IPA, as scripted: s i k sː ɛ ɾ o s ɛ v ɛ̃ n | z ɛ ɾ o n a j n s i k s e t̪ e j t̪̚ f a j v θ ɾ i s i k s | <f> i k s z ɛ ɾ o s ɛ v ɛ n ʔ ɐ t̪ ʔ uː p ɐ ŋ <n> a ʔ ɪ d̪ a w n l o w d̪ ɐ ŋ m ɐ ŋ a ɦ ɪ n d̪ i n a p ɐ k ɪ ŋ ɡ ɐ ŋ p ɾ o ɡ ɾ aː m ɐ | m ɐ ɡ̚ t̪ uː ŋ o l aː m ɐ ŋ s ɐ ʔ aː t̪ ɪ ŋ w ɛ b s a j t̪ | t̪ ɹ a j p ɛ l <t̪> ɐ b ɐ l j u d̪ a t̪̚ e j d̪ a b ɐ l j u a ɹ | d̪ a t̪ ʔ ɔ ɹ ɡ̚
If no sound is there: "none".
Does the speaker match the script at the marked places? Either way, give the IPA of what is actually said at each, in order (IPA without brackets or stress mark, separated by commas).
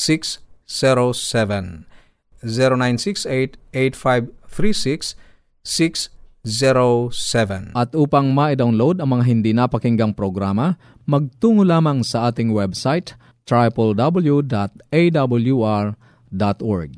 s, m, d̪